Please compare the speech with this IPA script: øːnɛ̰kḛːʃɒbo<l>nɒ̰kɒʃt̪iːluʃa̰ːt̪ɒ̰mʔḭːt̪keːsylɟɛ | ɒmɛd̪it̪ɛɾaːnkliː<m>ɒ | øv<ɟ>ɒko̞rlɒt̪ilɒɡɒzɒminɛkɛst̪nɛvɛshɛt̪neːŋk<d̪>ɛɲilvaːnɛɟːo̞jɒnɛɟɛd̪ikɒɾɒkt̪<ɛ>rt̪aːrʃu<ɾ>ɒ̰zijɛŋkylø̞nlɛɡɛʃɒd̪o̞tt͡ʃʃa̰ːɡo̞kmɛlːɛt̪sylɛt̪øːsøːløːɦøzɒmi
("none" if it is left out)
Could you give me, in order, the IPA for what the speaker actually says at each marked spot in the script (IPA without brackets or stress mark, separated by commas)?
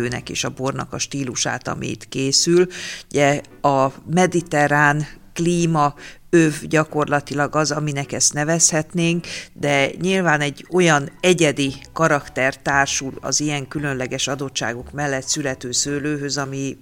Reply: r, m, ɟ, d̪, ɛ, l